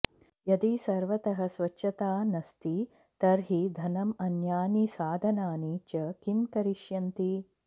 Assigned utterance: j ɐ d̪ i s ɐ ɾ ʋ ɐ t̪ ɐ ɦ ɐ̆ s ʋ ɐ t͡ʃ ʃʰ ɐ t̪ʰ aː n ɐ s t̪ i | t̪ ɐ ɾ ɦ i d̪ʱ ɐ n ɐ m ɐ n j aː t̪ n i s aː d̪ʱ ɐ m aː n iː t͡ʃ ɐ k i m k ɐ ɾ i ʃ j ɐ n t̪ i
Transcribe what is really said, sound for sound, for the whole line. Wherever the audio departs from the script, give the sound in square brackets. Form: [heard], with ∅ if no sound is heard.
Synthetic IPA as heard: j ɐ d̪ i s ɐ ɾ ʋ ɐ t̪ ɐ ɦ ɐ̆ s ʋ ɐ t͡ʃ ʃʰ ɐ [t̪] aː n ɐ s t̪ i | t̪ ɐ ɾ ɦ i d̪ʱ ɐ n ɐ m ɐ n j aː [∅] n i s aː d̪ʱ ɐ [n] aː n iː t͡ʃ ɐ k i m k ɐ ɾ i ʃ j ɐ n t̪ i